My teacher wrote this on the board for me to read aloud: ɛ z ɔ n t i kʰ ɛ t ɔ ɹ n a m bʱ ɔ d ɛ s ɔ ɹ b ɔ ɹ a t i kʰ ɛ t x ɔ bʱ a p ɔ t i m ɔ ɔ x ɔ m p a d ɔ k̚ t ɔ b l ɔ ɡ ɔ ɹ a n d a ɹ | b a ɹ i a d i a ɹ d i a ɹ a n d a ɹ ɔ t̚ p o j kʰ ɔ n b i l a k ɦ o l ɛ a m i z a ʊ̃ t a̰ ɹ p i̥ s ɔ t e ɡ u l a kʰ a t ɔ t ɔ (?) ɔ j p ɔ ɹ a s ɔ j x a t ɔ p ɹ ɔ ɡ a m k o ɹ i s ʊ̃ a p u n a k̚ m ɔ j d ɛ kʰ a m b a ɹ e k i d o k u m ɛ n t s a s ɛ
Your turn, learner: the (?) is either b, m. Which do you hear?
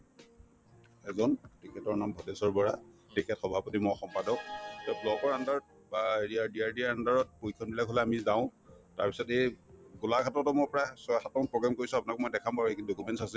m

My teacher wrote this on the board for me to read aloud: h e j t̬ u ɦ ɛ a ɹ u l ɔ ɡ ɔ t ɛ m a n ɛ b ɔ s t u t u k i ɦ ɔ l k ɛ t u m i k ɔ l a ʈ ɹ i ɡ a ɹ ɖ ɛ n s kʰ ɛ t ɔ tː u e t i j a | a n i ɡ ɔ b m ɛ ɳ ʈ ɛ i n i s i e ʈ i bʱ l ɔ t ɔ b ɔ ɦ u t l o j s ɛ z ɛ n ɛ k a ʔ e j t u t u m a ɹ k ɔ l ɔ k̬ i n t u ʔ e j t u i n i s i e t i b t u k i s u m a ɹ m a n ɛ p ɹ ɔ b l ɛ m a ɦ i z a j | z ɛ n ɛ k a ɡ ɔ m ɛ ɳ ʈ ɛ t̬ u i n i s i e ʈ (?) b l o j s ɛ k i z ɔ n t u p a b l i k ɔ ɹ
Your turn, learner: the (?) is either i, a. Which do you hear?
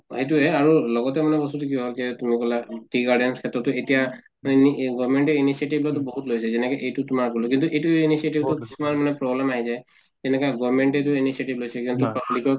i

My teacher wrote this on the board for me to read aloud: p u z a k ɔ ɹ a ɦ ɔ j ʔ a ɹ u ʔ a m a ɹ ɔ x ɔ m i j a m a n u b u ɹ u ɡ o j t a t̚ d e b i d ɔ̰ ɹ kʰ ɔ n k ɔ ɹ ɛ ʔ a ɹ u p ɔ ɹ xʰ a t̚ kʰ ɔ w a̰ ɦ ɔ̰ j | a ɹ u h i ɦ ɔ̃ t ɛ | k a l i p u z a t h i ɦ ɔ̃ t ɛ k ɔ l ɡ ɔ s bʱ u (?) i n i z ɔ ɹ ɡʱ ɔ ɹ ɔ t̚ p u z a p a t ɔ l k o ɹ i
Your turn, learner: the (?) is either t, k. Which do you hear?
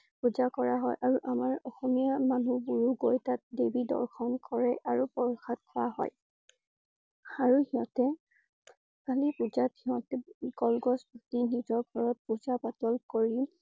t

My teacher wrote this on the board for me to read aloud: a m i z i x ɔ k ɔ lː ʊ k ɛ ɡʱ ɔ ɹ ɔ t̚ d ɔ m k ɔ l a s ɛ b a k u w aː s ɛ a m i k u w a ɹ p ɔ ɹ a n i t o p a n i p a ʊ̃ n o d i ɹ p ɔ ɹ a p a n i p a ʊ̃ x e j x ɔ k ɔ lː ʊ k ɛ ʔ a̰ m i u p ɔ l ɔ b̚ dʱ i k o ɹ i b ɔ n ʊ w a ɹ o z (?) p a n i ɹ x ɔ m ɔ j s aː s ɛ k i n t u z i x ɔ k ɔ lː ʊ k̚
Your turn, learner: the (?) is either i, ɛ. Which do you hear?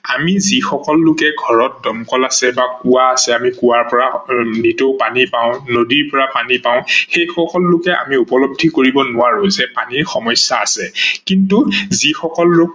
ɛ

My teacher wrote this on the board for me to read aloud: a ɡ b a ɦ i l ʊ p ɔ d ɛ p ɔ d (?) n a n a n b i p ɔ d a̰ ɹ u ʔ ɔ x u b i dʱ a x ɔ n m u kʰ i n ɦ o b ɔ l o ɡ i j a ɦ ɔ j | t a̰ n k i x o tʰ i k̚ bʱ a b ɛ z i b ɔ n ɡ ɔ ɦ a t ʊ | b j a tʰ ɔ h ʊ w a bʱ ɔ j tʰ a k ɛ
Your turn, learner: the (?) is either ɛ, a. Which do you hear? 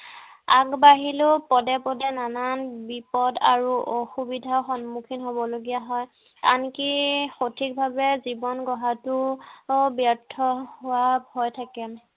ɛ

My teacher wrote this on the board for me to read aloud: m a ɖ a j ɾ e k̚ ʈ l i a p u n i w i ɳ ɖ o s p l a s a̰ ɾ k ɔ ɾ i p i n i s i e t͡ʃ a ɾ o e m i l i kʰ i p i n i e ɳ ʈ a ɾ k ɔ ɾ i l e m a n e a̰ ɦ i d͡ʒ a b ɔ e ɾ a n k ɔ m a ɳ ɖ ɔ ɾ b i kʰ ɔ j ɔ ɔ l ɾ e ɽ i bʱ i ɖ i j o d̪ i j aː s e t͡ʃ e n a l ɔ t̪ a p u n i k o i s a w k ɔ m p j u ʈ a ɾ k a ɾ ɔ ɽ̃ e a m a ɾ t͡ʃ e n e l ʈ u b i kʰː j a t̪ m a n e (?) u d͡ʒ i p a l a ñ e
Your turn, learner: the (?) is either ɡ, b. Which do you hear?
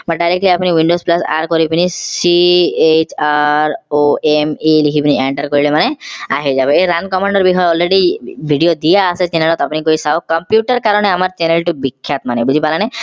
b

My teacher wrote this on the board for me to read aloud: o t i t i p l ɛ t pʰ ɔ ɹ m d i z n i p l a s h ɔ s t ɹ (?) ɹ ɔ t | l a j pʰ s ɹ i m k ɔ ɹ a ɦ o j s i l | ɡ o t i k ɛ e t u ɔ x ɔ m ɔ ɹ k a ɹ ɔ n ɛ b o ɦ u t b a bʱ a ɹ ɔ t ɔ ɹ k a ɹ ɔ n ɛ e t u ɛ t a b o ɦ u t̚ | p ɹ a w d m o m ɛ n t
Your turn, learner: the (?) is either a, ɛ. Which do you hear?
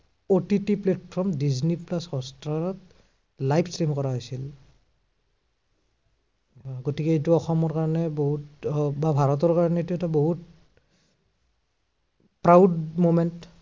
a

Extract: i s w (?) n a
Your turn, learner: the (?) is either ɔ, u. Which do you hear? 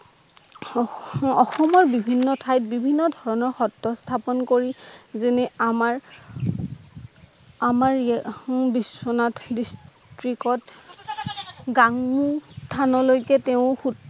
ɔ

